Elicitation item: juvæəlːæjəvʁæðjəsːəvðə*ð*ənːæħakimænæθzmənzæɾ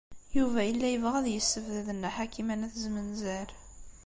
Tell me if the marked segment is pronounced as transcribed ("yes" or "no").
yes